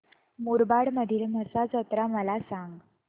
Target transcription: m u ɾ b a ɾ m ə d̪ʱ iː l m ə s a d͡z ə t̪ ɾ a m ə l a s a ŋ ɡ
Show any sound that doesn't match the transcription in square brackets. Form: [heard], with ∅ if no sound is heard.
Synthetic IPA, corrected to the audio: m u ɾ b a [ɽ] m ə d̪ʱ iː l m ə s a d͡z ə t̪ ɾ a m ə l a s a ŋ ɡ